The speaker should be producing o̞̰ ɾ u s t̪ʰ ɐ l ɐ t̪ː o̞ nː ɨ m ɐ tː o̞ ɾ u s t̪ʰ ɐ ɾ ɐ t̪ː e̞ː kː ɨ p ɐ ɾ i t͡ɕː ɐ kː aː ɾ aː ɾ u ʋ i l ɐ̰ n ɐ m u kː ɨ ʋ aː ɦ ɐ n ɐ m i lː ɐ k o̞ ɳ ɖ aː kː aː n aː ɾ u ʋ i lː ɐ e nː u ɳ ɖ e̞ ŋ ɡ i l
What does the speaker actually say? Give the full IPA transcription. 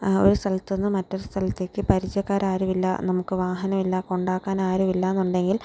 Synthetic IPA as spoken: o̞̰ ɾ u s t̪ʰ ɐ l ɐ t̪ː o̞ nː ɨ m ɐ tː o̞ ɾ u s t̪ʰ ɐ l ɐ t̪ː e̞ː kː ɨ p ɐ ɾ i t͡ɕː ɐ kː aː ɾ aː ɾ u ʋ i lː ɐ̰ n ɐ m u kː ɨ ʋ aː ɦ ɐ n ɐ m i lː ɐ k o̞ ɳ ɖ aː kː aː n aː ɾ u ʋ i lː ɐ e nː u ɳ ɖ e̞ ŋ ɡ i l